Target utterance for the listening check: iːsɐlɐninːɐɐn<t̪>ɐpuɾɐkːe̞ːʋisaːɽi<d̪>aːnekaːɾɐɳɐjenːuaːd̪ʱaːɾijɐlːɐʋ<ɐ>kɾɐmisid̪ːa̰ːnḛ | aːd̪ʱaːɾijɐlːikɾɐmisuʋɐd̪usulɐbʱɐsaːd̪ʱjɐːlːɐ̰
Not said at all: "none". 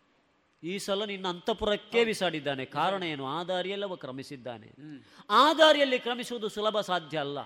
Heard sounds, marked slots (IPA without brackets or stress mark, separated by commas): t̪, d̪ː, ɐ